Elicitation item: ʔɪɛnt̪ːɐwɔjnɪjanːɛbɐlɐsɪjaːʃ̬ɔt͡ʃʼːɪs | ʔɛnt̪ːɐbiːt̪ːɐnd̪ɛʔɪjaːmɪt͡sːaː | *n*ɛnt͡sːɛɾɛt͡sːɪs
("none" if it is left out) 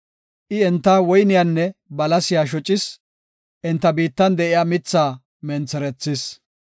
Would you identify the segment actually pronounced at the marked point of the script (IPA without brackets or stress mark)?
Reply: m